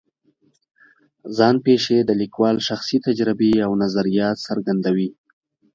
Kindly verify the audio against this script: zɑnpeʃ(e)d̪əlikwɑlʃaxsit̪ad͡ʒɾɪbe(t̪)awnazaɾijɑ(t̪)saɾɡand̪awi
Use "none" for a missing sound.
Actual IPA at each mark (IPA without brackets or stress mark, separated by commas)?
e, none, t̪